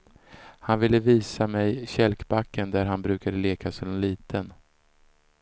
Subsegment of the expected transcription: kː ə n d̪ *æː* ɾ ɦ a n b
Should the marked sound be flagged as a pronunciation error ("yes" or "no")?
yes